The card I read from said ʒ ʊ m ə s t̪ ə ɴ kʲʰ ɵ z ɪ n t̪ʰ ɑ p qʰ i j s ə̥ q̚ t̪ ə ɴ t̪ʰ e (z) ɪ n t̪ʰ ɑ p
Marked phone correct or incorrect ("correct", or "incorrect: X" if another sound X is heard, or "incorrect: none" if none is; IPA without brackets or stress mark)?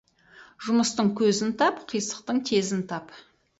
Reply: correct